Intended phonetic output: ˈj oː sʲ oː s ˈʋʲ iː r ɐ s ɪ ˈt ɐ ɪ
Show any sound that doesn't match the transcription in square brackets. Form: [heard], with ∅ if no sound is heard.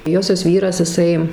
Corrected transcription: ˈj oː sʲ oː s ˈʋʲ iː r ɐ s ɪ [ˈs] ɐ ɪ